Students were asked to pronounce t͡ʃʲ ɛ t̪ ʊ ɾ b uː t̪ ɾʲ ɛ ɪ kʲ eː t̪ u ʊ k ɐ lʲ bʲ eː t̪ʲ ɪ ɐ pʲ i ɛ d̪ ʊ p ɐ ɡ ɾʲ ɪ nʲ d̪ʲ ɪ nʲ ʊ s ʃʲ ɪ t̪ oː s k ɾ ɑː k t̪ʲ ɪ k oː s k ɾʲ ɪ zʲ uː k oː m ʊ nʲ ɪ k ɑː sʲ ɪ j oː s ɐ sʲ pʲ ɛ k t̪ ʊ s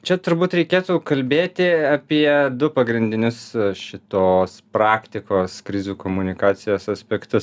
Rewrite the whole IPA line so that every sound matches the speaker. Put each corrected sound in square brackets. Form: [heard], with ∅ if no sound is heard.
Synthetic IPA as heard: t͡ʃʲ ɛ t̪ ʊ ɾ b uː t̪ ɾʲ ɛ ɪ kʲ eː t̪ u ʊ k ɐ lʲ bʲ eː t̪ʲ ɪ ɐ pʲ i ɛ d̪ ʊ p ɐ ɡ ɾʲ ɪ nʲ d̪ʲ ɪ nʲ ʊ s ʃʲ ɪ t̪ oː s [p] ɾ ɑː k t̪ʲ ɪ k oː s k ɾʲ ɪ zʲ uː k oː m ʊ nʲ ɪ k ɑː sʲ ɪ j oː s ɐ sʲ pʲ ɛ k t̪ ʊ s